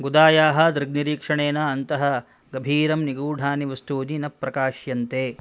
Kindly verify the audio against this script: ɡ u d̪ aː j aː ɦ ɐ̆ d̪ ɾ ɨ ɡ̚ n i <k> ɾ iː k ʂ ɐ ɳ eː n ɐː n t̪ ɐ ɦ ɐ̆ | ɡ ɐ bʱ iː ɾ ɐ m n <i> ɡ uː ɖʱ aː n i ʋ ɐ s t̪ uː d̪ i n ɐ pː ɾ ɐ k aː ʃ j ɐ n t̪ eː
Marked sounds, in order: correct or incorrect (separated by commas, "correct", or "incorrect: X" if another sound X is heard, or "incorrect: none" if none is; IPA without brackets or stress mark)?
incorrect: none, correct